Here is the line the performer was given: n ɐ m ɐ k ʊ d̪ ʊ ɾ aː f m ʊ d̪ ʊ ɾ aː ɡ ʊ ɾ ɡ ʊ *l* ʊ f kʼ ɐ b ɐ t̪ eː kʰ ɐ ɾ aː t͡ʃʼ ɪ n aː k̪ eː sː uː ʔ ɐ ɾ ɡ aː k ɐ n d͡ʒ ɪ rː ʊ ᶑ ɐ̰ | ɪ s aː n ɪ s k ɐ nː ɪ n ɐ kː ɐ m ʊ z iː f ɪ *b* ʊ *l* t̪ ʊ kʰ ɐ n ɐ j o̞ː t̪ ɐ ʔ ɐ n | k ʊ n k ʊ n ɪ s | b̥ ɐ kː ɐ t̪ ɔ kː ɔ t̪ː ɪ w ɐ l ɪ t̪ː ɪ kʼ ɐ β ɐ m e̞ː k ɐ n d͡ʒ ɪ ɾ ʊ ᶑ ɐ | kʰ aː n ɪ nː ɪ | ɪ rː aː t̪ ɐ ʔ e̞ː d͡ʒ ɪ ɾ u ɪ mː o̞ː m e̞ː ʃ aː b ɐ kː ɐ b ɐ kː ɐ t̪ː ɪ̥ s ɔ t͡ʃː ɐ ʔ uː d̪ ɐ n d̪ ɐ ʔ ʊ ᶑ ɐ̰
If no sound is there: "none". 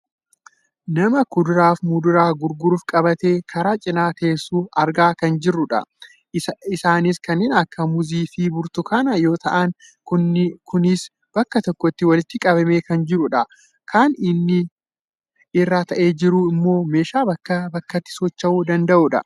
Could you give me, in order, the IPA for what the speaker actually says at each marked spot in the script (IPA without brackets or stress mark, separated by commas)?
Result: ɾ, b, ɾ